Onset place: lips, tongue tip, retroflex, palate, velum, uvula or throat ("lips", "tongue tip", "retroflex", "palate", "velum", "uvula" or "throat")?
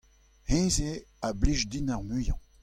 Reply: throat